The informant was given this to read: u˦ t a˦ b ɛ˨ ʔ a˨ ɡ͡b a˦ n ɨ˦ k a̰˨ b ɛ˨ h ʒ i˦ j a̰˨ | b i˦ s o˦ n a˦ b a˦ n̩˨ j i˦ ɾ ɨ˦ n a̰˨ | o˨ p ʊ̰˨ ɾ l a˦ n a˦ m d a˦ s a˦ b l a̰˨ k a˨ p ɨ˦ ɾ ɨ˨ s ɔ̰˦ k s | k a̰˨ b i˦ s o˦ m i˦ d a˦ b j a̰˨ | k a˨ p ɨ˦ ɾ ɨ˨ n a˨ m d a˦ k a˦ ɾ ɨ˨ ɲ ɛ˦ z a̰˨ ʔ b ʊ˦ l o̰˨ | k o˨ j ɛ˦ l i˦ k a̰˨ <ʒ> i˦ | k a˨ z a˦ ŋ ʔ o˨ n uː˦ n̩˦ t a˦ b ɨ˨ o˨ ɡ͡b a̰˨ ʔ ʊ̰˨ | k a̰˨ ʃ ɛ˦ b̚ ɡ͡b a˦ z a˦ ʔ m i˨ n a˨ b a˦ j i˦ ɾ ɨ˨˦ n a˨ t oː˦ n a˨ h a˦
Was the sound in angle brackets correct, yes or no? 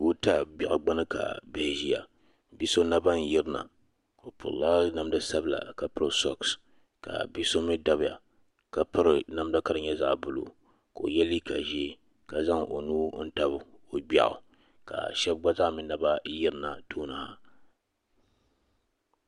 yes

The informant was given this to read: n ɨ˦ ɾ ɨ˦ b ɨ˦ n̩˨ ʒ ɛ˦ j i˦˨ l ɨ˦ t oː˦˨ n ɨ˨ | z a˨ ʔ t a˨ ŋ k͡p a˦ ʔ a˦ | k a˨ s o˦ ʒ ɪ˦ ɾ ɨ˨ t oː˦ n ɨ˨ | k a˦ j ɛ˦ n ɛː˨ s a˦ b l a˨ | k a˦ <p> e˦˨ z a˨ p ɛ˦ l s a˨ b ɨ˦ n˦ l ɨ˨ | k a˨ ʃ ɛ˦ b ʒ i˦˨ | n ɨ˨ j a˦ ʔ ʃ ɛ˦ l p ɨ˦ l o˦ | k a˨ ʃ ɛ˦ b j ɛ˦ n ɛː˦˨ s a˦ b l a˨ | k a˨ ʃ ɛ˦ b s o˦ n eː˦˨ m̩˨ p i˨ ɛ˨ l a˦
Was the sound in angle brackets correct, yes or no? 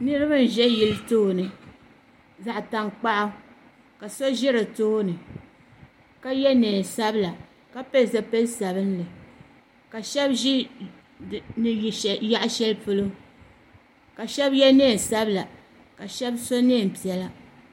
yes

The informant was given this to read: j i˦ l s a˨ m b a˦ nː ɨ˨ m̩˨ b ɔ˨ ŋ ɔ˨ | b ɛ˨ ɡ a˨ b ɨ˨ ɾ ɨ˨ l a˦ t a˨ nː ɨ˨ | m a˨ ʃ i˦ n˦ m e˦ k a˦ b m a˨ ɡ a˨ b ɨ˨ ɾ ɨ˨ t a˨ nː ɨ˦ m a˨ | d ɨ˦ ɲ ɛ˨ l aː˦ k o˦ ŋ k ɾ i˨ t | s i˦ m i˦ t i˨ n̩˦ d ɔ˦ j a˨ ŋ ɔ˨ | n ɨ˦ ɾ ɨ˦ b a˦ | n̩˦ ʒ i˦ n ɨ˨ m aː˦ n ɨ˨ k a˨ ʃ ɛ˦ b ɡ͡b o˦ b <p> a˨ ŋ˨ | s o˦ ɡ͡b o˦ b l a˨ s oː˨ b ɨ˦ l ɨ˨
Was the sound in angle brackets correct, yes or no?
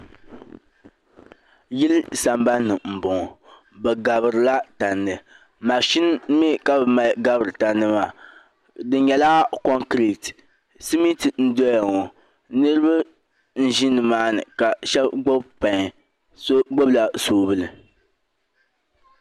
yes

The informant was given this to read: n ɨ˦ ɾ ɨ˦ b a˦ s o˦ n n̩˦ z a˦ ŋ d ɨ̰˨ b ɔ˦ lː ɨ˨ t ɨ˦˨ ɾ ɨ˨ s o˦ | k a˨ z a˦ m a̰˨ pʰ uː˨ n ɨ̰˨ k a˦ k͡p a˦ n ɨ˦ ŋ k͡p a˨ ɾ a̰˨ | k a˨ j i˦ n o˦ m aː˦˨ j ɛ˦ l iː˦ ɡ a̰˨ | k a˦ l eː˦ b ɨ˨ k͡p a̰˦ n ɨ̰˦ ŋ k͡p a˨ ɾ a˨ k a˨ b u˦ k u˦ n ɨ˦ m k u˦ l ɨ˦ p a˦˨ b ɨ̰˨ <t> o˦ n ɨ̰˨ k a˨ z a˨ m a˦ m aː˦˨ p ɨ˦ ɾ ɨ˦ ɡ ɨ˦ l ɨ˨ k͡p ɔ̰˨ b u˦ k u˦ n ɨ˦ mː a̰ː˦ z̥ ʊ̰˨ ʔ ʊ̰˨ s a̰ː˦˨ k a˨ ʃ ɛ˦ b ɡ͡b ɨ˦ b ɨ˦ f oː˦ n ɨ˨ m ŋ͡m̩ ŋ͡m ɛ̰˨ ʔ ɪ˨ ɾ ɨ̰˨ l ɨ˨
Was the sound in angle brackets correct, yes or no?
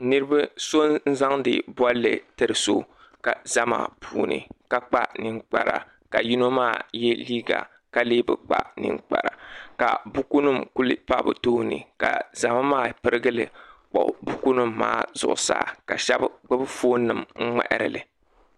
yes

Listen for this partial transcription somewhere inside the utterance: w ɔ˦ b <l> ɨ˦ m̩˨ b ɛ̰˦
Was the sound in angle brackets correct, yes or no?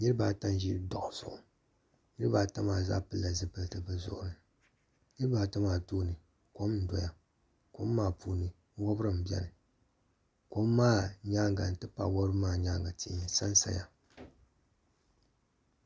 no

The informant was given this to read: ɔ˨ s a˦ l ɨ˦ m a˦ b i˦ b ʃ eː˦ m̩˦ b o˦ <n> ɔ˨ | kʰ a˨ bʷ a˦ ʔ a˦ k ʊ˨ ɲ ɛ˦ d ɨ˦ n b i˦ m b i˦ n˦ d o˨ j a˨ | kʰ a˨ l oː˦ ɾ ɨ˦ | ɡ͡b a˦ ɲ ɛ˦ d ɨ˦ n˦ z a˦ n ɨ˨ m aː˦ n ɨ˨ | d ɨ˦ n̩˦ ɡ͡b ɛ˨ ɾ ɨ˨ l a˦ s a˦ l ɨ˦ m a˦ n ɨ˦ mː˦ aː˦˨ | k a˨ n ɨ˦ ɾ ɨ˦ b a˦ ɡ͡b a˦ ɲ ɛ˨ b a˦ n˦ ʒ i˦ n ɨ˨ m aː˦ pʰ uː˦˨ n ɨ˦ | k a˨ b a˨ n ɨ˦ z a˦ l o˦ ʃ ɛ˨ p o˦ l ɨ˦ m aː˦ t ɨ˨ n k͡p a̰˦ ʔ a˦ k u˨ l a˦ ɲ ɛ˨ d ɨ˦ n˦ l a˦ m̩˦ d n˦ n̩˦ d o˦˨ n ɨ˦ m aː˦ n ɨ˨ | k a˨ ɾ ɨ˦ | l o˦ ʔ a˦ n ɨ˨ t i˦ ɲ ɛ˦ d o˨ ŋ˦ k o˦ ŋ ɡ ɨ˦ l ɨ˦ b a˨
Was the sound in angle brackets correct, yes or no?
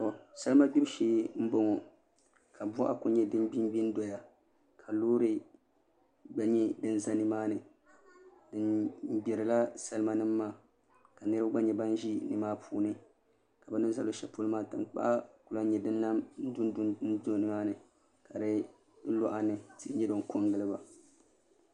no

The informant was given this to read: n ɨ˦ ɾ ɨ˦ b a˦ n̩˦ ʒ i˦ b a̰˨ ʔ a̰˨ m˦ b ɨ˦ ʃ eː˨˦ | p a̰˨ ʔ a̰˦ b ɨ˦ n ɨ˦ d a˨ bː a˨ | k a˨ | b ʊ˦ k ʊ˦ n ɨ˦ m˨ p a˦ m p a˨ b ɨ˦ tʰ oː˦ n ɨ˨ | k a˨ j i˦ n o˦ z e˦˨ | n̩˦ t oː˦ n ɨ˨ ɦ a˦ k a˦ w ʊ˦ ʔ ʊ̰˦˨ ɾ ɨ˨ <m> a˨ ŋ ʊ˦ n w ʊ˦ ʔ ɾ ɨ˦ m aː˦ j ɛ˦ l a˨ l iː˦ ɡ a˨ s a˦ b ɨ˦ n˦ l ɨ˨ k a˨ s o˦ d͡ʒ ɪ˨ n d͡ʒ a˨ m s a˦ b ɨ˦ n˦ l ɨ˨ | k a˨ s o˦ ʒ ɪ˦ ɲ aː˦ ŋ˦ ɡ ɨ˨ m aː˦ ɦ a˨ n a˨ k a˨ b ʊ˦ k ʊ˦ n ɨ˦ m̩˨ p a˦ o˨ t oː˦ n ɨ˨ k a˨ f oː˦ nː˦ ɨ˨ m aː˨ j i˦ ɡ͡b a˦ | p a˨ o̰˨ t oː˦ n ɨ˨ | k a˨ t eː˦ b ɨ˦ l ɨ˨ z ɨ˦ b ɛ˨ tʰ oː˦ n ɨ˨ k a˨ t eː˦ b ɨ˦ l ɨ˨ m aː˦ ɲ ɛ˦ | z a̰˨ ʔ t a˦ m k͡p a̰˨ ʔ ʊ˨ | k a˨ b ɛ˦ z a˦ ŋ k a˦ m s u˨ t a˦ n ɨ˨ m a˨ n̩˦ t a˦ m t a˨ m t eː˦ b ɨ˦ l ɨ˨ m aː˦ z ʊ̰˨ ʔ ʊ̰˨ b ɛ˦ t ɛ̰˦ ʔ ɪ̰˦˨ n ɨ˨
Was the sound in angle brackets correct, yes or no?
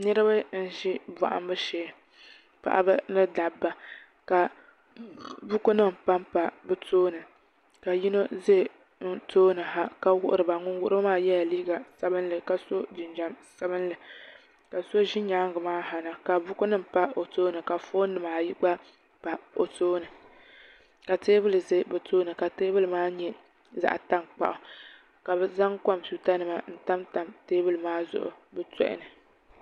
no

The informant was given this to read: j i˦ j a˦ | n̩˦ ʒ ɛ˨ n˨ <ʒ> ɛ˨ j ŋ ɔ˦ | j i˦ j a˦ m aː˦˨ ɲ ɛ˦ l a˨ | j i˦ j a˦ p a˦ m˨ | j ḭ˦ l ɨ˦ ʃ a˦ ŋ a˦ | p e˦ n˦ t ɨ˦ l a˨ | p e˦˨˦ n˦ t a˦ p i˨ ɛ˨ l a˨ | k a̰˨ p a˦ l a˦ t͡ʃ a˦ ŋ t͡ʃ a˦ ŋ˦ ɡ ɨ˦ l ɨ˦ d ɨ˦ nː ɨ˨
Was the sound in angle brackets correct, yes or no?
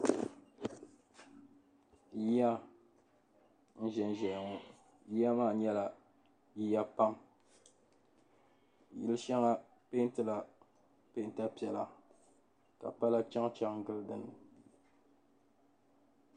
yes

